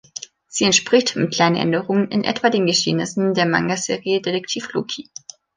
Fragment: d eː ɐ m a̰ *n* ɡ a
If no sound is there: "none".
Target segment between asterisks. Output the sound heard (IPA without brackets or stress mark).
ŋ